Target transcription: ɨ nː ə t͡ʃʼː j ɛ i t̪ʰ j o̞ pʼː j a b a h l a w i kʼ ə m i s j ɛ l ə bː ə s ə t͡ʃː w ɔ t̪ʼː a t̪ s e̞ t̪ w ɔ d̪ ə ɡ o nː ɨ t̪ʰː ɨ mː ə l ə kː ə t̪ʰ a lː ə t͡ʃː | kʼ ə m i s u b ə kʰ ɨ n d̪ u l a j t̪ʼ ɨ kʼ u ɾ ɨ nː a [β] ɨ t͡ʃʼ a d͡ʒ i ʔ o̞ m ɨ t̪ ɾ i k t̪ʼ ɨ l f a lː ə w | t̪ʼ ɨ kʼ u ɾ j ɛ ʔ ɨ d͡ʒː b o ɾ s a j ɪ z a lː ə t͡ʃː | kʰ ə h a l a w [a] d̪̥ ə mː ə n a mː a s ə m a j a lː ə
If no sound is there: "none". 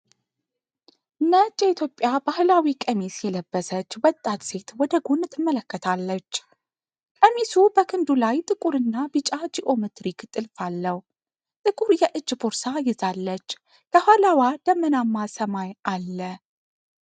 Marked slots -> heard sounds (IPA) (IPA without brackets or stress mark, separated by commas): b, a